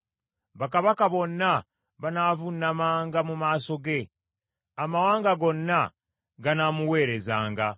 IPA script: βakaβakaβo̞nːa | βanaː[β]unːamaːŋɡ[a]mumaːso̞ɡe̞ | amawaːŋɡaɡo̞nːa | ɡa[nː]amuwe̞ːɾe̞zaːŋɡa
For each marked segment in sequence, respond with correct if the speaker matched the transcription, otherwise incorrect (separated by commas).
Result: incorrect, correct, incorrect